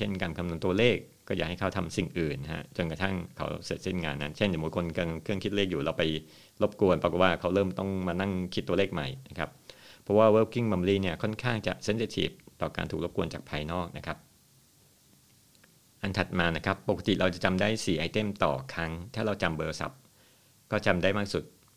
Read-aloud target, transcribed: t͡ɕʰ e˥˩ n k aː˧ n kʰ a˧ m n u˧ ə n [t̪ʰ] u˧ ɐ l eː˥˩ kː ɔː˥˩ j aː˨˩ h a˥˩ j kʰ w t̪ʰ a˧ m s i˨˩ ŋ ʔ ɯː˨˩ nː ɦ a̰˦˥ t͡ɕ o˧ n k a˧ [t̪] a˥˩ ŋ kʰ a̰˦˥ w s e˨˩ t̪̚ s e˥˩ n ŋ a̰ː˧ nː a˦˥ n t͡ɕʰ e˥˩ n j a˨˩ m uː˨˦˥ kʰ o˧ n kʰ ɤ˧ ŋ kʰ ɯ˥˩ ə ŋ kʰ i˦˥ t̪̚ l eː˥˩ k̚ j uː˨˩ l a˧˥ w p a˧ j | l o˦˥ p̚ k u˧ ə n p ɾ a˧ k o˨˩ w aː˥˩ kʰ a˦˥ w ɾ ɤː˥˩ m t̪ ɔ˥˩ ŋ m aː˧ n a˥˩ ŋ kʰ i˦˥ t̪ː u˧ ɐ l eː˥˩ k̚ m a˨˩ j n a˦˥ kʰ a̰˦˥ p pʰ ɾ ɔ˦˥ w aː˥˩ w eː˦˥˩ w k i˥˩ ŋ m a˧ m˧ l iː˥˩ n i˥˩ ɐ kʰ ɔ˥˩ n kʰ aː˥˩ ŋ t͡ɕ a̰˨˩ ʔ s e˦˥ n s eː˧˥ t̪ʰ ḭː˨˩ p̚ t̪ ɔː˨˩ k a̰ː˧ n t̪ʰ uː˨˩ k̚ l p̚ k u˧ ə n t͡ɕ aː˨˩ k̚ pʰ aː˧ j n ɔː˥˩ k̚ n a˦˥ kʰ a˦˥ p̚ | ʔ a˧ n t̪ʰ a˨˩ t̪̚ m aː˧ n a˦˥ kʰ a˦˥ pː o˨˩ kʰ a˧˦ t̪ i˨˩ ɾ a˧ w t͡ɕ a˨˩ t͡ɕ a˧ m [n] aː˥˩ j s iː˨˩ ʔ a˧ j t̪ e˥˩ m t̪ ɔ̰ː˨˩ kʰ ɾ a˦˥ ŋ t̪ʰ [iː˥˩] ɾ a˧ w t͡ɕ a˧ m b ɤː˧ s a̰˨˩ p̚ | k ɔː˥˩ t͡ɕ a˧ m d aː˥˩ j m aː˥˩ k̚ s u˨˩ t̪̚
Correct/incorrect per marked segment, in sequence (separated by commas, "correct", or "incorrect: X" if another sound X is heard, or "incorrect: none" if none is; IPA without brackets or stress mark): incorrect: t̪, incorrect: t̪ʰ, incorrect: d, incorrect: aː˥˩